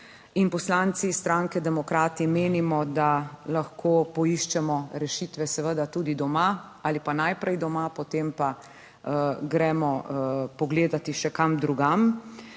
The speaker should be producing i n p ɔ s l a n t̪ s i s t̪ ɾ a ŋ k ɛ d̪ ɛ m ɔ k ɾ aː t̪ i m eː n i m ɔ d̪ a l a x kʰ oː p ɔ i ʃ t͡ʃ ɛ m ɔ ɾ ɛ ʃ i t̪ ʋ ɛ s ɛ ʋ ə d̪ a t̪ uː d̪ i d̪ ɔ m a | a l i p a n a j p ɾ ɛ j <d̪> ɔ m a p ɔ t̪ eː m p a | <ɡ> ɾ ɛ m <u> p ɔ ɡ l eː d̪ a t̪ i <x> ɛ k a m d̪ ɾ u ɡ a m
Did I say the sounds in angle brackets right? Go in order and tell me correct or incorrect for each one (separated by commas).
correct, correct, incorrect, incorrect